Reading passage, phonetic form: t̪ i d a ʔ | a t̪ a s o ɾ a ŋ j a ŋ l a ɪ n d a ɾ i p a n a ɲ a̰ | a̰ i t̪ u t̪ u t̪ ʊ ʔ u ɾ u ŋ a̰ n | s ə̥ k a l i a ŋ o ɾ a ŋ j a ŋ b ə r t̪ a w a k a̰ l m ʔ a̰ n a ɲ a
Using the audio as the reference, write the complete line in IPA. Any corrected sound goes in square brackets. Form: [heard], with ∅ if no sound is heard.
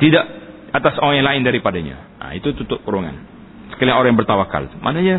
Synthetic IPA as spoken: t̪ i d a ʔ | a t̪ a s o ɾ a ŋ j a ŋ l a ɪ n d a ɾ i p a [d] a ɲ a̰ | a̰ i t̪ u t̪ u t̪ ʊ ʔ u ɾ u ŋ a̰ n | s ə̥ k a l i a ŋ o ɾ a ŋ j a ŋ b ə r t̪ a w a k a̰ l m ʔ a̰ n a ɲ a